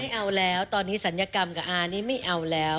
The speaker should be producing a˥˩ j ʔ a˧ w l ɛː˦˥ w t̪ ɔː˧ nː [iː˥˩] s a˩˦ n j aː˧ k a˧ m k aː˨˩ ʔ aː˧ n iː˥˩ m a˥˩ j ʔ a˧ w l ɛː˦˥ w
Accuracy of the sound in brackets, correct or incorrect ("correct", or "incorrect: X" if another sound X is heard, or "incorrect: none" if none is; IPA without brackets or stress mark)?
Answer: incorrect: iː˦˥